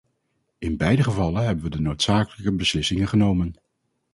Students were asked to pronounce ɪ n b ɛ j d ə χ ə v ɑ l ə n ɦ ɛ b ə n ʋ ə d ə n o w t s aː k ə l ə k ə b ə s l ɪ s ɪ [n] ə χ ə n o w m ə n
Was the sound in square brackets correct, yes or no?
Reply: no